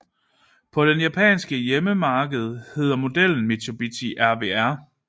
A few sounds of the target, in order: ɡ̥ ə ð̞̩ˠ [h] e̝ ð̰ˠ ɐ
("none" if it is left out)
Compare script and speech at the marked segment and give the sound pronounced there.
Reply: h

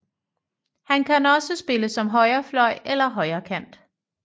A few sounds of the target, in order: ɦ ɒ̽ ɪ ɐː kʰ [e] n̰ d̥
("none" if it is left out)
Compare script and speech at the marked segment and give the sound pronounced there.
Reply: æ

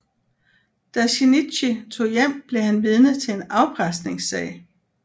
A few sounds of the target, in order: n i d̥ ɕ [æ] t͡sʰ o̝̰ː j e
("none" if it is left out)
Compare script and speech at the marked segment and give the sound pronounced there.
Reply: i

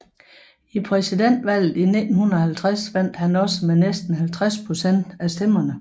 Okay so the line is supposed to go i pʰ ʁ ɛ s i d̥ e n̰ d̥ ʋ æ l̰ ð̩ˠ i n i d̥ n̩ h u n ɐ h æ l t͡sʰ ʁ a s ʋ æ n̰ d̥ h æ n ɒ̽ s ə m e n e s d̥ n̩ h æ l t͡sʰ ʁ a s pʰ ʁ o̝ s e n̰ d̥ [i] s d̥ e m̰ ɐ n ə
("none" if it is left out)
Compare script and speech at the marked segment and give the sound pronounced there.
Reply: æ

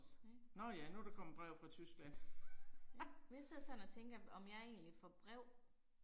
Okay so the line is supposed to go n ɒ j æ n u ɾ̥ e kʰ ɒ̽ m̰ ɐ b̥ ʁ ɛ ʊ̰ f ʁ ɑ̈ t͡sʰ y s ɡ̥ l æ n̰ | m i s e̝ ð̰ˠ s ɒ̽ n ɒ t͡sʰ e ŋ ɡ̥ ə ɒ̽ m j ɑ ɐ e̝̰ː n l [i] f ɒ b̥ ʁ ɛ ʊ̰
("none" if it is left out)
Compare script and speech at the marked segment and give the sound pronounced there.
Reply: i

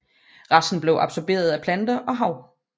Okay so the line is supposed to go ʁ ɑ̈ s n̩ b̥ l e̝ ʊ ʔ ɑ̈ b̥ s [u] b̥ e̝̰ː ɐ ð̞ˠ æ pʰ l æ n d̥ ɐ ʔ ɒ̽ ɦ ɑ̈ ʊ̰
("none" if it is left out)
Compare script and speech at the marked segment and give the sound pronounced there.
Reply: ɒ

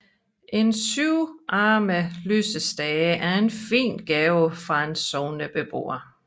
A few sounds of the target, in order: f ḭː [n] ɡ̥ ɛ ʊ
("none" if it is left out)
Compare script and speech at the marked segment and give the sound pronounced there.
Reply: n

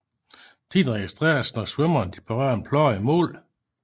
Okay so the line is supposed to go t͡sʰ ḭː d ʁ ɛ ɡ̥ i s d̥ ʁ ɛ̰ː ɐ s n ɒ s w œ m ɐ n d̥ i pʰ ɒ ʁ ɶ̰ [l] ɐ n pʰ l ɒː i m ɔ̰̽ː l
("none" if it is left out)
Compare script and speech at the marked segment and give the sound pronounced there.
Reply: none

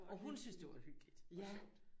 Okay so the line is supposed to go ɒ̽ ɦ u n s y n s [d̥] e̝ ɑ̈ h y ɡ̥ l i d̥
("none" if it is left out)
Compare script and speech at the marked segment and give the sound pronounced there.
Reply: d̥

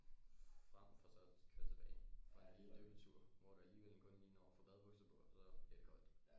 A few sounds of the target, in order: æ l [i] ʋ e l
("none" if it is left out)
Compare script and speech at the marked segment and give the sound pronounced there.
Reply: iː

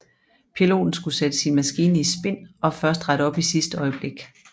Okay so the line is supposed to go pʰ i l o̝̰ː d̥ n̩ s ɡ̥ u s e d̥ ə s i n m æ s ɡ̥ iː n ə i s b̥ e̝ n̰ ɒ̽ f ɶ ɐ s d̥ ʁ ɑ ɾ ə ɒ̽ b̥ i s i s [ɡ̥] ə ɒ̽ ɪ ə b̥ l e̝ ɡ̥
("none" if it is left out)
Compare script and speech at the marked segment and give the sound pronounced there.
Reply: d̥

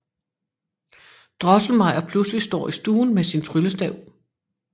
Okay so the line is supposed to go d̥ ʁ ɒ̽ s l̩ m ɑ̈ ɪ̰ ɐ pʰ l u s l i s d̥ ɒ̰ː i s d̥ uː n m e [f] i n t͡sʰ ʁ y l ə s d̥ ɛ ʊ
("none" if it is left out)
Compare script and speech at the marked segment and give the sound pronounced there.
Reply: s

